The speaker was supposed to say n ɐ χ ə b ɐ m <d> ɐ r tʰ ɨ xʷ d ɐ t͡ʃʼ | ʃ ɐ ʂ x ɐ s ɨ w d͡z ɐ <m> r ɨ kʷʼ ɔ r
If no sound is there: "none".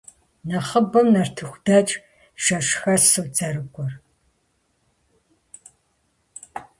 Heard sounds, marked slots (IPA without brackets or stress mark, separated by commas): n, none